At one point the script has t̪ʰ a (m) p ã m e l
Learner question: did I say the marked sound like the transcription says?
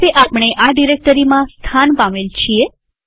no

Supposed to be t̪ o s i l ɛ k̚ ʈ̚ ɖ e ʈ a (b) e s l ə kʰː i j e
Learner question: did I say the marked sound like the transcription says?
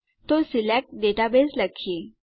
yes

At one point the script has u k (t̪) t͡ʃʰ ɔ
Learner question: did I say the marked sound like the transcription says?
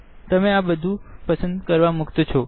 yes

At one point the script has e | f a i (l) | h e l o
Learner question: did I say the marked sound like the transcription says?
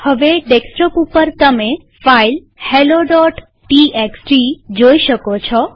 yes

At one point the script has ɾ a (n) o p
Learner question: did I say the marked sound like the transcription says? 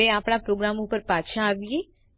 no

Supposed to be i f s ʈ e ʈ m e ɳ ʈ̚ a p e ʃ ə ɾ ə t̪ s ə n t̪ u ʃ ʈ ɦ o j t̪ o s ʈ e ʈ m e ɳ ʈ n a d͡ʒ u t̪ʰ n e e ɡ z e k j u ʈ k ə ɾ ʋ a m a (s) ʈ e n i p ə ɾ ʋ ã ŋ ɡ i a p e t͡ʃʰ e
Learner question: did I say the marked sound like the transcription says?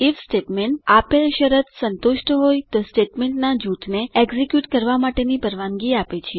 no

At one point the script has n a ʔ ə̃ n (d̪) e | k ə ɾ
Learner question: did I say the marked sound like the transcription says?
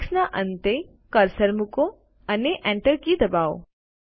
no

